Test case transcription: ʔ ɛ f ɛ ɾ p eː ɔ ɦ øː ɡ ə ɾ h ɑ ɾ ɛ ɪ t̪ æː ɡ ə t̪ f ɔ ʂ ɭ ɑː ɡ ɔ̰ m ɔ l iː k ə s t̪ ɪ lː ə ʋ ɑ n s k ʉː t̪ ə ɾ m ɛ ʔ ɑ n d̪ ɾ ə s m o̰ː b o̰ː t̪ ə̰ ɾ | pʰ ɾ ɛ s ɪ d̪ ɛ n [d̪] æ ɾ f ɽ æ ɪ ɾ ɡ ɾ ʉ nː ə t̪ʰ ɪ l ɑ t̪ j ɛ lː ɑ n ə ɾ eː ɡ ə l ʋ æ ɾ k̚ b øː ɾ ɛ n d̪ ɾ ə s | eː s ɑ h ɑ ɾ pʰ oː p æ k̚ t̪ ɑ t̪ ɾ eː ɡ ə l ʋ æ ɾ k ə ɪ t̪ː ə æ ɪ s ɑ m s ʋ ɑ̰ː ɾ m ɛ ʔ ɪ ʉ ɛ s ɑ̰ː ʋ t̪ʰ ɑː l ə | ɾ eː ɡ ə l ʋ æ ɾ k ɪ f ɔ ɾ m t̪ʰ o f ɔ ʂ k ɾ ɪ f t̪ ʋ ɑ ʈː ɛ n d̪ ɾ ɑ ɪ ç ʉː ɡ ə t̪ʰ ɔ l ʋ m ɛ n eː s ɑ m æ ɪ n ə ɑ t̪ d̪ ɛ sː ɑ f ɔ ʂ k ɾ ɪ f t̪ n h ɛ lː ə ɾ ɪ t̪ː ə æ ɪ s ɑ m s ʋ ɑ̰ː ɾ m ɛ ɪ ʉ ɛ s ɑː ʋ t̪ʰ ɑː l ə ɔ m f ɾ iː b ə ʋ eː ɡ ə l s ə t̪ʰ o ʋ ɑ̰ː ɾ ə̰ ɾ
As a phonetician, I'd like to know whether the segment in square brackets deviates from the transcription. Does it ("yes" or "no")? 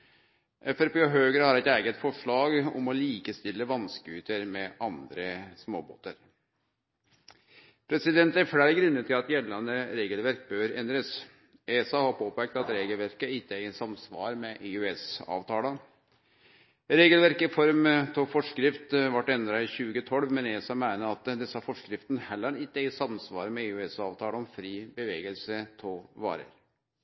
yes